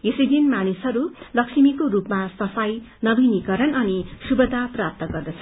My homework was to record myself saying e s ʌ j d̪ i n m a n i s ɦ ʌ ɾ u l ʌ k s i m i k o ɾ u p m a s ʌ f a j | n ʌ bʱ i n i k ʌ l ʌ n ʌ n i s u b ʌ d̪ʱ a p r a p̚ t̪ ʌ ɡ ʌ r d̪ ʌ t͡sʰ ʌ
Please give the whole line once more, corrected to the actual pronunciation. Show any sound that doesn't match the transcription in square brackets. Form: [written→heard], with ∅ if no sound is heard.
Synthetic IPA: e s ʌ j d̪ i n m a n i s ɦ ʌ ɾ u l ʌ k s i m i k o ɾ u p m a s ʌ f a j | n ʌ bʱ i n i k ʌ [l→ɾ] ʌ n ʌ n i s u b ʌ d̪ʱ a p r a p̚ t̪ ʌ ɡ ʌ r d̪ ʌ t͡sʰ ʌ